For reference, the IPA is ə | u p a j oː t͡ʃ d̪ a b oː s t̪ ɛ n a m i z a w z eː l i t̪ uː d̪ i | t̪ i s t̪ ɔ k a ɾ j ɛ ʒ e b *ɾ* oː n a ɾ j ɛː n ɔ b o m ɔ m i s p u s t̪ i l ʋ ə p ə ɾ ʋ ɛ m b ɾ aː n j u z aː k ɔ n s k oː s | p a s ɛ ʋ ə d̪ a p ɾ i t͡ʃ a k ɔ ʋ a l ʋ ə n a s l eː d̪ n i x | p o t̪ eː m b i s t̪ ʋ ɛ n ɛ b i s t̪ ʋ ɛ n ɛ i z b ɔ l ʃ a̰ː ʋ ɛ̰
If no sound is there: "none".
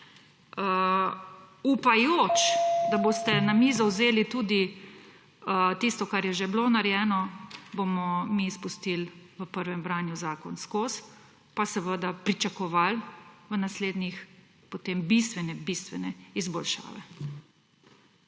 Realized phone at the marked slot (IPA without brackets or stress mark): l